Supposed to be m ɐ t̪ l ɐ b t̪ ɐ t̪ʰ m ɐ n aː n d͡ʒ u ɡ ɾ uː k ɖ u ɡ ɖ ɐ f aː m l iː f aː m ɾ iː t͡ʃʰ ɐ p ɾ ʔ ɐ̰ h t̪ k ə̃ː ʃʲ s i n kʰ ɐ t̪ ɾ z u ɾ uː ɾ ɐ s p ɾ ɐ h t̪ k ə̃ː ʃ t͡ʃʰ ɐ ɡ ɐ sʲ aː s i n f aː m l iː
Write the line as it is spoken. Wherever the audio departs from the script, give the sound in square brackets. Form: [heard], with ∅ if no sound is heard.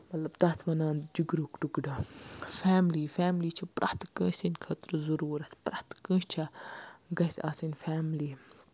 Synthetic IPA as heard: m ɐ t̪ l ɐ b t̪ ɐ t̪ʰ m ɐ n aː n d͡ʒ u ɡ ɾ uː k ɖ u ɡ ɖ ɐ f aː m l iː f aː m [l] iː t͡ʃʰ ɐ p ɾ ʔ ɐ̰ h t̪ k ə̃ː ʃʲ s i n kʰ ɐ t̪ ɾ z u ɾ uː ɾ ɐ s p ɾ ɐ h t̪ k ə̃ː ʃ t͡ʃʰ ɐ ɡ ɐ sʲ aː s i n f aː m l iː